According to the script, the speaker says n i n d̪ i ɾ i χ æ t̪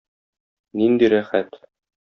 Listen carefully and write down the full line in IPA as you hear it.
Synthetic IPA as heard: n i n d̪ i ɾ æ χ æ t̪